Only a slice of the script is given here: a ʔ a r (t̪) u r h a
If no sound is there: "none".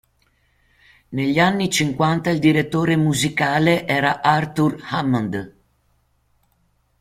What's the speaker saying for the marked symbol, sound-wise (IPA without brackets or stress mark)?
t̪